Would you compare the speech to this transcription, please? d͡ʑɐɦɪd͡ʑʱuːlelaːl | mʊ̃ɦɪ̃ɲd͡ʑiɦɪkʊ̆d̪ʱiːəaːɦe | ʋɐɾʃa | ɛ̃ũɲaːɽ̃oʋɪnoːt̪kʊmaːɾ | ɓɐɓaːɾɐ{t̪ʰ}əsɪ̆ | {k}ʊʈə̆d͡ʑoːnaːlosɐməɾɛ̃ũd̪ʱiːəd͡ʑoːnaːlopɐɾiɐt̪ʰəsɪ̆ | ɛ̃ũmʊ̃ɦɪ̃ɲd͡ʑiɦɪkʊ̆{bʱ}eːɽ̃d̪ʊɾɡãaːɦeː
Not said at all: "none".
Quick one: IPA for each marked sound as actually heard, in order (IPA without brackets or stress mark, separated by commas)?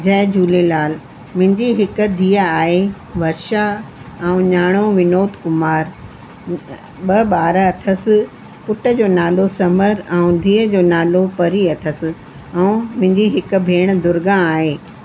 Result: t̪ʰ, p, bʱ